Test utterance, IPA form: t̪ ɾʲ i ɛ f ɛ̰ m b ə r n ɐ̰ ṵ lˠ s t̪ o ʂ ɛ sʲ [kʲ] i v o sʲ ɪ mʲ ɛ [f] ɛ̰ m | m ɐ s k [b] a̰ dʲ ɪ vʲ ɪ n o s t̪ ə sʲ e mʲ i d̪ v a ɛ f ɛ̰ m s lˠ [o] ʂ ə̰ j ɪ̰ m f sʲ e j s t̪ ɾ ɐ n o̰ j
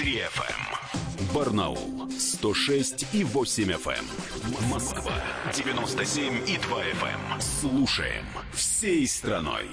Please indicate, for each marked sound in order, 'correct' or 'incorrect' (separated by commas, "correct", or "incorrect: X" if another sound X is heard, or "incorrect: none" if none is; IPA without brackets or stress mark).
incorrect: tʲ, correct, incorrect: v, incorrect: u